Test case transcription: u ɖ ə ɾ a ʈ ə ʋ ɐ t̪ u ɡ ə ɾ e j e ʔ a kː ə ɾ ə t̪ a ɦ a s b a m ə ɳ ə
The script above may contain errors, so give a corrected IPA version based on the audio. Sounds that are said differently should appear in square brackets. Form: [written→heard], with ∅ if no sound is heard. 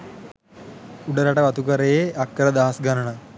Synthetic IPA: u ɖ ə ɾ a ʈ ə ʋ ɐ t̪ u [ɡ→k] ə ɾ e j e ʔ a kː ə ɾ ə [t̪→d̪] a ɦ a s [b→ɡ] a [m→n] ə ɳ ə